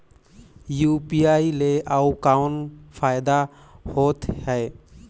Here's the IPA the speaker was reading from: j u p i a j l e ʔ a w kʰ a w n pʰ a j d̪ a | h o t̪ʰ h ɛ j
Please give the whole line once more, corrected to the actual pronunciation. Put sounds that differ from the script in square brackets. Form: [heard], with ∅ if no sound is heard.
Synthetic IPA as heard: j u p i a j l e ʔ a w [k] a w n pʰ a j d̪ a | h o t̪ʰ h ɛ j